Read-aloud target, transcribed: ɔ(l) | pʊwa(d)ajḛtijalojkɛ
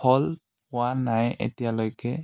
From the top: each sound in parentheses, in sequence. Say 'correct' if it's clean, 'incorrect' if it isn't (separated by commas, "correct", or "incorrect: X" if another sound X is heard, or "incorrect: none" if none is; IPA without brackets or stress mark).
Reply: correct, incorrect: n